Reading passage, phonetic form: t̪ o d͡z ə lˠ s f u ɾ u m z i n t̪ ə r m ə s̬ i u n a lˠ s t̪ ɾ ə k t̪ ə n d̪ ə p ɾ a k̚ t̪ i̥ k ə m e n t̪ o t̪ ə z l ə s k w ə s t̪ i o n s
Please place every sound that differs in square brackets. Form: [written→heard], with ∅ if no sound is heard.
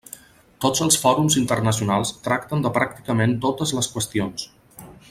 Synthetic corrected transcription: t̪ o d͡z ə lˠ s f [u→ɔ] ɾ u m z i n t̪ ə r [m→n] ə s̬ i u n a lˠ s t̪ ɾ [ə→a] k t̪ ə n d̪ ə p ɾ a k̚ t̪ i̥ k ə m e n t̪ o t̪ ə z l ə s k w ə s t̪ i o n s